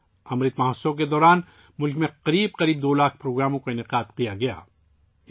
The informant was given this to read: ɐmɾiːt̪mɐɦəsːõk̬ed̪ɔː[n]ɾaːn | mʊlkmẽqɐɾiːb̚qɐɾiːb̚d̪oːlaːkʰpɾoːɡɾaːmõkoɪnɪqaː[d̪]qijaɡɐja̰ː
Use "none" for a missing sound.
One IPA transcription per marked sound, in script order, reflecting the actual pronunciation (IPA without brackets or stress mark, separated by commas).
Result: none, d̪